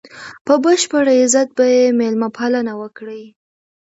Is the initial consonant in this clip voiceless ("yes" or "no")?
yes